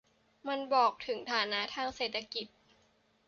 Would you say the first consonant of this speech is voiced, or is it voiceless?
voiced